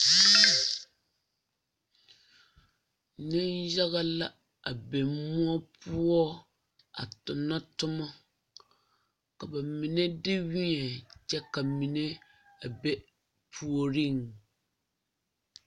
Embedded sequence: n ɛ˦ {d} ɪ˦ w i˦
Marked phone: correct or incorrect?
correct